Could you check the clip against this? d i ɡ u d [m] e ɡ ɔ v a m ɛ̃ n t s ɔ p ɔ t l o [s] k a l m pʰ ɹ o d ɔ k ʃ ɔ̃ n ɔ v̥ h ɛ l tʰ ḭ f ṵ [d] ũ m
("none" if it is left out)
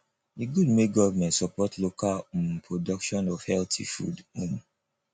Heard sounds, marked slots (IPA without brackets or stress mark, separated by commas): m, none, d